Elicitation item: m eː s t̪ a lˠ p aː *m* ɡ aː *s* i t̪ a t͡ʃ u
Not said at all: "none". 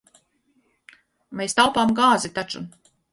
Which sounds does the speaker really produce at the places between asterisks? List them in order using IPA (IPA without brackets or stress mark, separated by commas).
m, z